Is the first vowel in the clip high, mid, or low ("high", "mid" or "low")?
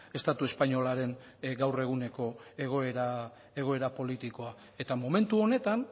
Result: mid